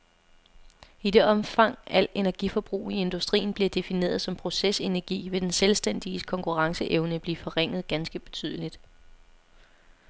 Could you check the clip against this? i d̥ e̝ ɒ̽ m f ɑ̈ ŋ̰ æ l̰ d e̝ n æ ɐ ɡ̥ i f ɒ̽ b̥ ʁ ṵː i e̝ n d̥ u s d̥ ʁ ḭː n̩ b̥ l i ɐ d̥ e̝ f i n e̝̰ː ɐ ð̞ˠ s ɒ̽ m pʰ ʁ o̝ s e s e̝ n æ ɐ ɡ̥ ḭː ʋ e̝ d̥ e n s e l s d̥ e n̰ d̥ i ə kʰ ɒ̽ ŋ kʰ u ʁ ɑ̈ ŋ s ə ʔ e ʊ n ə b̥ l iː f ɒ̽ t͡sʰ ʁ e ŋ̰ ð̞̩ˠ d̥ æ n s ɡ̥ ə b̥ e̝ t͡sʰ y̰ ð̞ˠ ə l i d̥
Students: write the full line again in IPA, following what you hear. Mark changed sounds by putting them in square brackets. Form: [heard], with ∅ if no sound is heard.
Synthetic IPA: i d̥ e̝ ɒ̽ m f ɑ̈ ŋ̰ æ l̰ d e̝ n æ ɐ ɡ̥ i f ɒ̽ b̥ ʁ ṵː i e̝ n d̥ u s d̥ ʁ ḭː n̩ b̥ l i ɐ d̥ e̝ f i n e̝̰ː ɐ ð̞ˠ s ɒ̽ m pʰ ʁ o̝ s e s e̝ n æ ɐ ɡ̥ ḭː ʋ e̝ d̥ e n s e l s d̥ e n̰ d̥ i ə kʰ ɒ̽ ŋ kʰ u ʁ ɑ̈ ŋ s ə ʔ e ʊ n ə b̥ l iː f ɒ̽ [∅] ʁ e ŋ̰ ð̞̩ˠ [ɡ̥] æ n s ɡ̥ ə b̥ e̝ t͡sʰ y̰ ð̞ˠ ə l i d̥